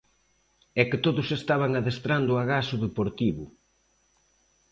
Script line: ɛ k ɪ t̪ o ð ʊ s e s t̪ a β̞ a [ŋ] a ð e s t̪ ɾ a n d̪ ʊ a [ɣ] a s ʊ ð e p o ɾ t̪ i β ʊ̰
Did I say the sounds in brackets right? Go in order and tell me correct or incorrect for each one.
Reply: correct, correct

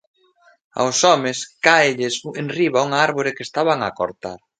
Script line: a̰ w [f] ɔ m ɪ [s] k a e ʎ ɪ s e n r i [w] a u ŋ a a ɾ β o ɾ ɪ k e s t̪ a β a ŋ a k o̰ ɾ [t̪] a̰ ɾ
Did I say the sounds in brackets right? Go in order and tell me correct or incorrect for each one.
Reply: incorrect: s, correct, incorrect: β, correct

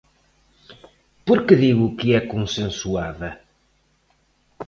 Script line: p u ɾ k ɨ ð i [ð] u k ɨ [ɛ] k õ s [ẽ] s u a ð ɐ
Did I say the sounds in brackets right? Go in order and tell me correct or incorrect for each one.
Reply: incorrect: ɣ, correct, correct

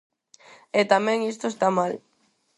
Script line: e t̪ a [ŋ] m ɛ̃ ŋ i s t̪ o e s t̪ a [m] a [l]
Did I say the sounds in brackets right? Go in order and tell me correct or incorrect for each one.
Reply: incorrect: none, correct, correct

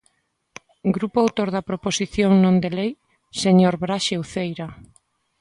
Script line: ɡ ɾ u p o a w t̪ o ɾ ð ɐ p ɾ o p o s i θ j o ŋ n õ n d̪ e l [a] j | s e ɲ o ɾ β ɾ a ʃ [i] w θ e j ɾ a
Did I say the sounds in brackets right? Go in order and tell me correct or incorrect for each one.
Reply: incorrect: e, incorrect: e

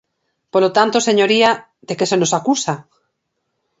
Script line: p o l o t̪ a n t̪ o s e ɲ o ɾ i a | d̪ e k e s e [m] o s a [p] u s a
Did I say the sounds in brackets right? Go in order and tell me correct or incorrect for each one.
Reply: incorrect: n, incorrect: k

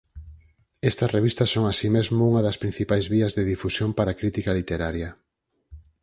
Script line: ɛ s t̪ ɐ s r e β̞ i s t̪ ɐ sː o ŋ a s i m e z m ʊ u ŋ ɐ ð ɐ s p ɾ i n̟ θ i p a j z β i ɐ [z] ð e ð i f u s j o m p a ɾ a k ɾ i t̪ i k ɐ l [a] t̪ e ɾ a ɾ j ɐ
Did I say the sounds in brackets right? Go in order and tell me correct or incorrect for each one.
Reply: correct, incorrect: i

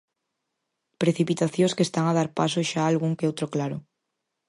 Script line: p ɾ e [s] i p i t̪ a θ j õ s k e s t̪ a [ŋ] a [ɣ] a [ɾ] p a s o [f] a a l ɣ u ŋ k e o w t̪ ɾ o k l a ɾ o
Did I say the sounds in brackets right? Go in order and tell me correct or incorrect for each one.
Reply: incorrect: θ, correct, incorrect: ð, correct, incorrect: ʃ

